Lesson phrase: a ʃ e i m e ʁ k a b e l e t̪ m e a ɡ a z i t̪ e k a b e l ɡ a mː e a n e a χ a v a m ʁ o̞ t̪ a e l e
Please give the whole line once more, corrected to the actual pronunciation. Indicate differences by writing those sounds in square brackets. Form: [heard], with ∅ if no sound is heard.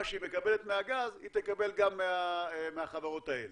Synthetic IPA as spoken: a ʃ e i m e [∅] k a b e l e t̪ m e a ɡ a z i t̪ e k a b e l ɡ a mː e a [m] e a χ a v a [∅] ʁ o̞ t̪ a e l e